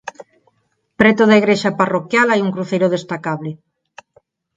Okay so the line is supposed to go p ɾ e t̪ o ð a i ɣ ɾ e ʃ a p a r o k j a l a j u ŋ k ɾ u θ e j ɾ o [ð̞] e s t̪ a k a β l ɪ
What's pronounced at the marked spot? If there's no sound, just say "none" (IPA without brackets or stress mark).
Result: ð̞